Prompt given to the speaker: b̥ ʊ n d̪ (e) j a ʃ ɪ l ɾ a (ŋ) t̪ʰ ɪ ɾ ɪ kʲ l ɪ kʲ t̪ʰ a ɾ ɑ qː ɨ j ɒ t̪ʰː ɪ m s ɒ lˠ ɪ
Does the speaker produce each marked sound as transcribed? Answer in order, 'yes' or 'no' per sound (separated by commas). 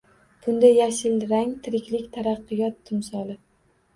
no, yes